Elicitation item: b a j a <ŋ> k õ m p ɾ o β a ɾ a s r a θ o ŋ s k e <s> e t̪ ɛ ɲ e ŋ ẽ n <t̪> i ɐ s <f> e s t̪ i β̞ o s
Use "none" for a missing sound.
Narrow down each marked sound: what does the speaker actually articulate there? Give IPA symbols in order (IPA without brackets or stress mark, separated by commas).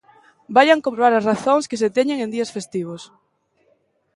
ŋ, s, d̪, f